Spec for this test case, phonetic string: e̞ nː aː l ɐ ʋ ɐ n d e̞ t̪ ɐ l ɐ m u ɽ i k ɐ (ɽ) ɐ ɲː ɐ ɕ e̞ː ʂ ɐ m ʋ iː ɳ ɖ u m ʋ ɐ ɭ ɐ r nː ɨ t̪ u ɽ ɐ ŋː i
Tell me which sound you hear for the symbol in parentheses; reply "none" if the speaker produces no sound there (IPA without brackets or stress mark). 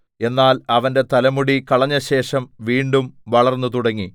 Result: ɭ